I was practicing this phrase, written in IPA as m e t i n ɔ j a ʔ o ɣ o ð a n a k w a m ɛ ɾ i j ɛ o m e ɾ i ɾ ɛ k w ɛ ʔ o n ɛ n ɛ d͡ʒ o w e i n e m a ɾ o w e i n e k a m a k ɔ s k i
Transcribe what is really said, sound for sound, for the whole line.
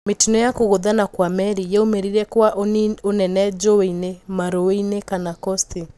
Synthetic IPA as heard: m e t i n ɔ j a k o ɣ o ð a n a k w a m ɛ ɾ i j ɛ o m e ɾ i ɾ ɛ k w a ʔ o n ɛ n ɛ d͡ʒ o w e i n e m a ɾ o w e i n e k a n a k ɔ s t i